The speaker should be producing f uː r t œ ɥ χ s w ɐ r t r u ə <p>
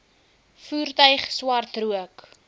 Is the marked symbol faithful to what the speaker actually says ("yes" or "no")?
no